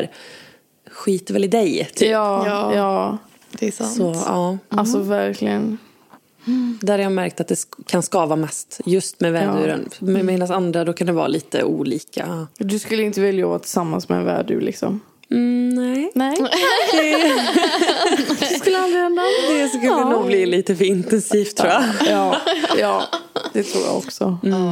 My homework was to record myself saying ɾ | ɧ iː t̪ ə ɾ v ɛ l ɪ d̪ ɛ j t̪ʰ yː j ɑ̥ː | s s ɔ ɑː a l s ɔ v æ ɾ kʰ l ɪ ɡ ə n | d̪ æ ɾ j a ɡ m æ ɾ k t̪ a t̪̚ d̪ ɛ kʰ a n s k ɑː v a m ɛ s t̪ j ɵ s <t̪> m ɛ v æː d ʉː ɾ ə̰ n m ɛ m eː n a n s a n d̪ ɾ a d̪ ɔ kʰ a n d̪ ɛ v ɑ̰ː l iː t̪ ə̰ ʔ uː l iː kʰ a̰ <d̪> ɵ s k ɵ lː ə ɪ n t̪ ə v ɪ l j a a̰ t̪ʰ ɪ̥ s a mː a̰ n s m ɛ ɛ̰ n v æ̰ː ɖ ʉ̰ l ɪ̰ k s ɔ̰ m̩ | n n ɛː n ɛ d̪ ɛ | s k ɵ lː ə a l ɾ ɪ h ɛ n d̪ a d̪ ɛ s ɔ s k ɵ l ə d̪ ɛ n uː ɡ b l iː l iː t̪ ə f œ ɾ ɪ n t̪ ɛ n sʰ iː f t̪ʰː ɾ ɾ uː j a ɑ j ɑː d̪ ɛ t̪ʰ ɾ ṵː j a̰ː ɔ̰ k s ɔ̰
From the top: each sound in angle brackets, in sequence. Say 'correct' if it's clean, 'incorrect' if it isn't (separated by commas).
correct, correct